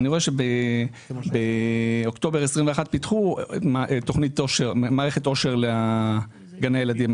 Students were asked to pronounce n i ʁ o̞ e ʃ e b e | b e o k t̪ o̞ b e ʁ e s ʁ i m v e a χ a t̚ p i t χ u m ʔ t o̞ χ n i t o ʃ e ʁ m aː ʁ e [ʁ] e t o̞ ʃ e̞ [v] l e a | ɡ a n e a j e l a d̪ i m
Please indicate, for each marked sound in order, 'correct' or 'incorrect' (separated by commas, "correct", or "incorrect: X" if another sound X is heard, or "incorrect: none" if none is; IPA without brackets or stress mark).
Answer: incorrect: χ, incorrect: ʁ